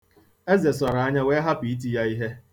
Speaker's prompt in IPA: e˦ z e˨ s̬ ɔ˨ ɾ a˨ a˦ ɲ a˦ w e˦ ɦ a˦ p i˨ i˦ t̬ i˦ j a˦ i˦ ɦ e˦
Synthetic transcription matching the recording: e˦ z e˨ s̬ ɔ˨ ɾ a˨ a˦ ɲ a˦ w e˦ ɦ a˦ p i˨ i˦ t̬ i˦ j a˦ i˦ ɦ e˦